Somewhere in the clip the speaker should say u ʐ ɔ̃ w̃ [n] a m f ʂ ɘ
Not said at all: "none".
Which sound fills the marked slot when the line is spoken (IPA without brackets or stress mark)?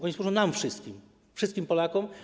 n